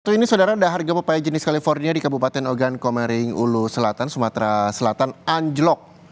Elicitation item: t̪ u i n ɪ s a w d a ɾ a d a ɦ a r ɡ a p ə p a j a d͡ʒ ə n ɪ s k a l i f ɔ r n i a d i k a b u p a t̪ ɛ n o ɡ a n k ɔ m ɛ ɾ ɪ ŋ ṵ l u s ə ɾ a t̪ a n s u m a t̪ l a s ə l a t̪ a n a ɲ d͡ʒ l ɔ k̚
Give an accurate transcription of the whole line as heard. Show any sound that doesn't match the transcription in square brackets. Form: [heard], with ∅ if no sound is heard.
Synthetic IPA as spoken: t̪ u i n [i] s a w d a ɾ a d a ɦ a r ɡ a p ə p a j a d͡ʒ ə n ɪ s k a l i f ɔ r n i a d i k a b u p a t̪ ɛ n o ɡ a n k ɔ m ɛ ɾ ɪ ŋ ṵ l u s ə [l] a t̪ a n s u m a t̪ [ɾ] a s ə l a t̪ a n a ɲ d͡ʒ l ɔ k̚